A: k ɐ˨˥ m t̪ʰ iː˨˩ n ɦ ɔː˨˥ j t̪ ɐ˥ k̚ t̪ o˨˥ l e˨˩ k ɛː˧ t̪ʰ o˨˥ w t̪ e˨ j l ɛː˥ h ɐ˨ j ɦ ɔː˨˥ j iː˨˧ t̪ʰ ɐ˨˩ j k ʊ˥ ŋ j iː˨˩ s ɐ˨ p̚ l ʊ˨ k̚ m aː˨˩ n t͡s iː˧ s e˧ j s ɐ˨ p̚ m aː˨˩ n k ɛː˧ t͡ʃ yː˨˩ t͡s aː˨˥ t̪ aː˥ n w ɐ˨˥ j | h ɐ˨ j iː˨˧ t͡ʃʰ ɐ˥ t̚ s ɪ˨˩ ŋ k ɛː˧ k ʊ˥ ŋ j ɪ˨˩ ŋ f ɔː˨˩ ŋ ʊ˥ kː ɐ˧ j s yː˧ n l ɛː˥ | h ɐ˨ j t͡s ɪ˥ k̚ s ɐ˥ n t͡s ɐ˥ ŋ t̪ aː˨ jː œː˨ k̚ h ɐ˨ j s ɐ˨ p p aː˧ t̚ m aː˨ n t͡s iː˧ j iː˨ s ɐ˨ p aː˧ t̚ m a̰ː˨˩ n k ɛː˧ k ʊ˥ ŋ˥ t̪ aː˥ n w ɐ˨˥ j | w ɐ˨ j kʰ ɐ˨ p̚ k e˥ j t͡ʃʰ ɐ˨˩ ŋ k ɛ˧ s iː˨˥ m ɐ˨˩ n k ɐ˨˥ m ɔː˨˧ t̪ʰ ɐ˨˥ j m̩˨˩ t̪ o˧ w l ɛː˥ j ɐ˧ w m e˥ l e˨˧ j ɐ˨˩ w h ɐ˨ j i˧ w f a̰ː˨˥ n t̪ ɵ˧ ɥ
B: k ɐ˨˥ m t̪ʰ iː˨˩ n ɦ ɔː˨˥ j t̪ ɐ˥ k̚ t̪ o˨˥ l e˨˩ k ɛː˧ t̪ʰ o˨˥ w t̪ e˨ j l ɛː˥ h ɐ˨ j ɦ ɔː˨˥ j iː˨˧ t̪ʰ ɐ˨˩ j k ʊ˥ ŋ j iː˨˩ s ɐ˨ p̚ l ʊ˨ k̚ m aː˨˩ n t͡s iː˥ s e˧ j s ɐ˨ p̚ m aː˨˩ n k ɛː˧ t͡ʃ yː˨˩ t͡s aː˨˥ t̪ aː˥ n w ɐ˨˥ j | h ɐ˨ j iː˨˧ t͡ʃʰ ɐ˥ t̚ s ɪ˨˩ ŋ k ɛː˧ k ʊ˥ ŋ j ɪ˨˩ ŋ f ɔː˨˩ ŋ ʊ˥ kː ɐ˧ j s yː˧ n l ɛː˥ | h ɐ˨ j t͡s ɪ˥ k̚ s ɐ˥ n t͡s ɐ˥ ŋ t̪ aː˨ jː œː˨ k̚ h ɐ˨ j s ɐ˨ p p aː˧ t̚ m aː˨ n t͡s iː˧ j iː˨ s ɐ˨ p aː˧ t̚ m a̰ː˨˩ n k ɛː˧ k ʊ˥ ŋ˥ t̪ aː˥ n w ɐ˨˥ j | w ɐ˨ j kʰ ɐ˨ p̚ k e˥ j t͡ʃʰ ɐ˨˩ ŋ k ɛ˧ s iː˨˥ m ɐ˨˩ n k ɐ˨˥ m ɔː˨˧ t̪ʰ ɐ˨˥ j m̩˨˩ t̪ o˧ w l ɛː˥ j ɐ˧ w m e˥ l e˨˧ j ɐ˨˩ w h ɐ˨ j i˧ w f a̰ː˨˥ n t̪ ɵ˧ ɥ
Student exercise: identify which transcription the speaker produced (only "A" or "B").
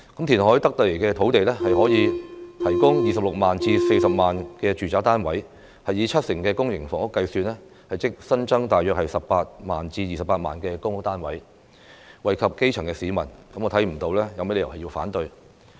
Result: A